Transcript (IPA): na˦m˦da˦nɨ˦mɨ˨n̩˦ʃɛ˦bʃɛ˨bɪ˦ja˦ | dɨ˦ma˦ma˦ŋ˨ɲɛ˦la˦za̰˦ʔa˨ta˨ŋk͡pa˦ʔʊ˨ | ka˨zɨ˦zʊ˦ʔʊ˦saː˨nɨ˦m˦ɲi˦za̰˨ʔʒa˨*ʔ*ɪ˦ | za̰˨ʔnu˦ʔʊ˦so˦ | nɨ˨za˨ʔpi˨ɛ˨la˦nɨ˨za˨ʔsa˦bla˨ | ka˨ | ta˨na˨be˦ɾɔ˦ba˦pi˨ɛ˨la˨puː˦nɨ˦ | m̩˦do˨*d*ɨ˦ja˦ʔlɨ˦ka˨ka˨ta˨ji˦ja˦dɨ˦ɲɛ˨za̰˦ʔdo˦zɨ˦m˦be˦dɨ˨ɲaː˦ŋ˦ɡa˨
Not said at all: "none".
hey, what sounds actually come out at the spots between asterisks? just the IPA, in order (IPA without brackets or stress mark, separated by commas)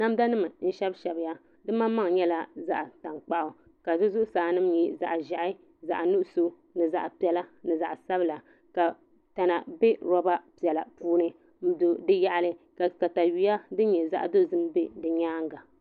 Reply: ʔ, d